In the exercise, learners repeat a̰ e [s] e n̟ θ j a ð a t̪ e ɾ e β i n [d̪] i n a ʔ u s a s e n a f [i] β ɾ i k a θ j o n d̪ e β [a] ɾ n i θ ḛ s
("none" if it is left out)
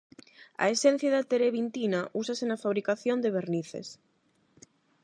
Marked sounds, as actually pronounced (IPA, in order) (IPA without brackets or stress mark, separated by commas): s, t̪, a, e